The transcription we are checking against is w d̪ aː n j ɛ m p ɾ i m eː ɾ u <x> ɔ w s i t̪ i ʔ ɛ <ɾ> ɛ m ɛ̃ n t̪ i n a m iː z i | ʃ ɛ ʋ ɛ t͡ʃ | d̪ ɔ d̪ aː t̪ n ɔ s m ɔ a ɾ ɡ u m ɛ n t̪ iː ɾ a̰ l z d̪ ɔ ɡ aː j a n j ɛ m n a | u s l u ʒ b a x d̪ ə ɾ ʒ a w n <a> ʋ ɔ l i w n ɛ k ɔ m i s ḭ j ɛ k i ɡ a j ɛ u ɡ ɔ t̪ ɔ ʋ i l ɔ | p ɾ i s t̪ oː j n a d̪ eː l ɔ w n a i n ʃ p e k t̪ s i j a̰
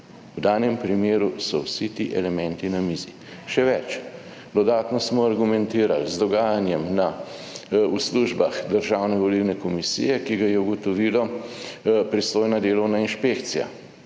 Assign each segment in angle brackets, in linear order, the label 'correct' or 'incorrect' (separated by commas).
incorrect, incorrect, incorrect